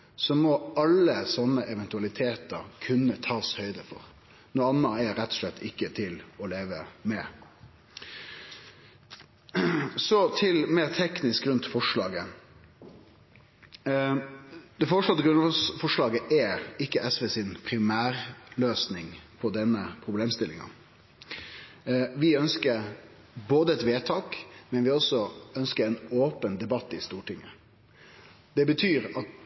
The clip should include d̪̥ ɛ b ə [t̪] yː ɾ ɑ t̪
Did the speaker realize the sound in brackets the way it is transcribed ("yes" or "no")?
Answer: no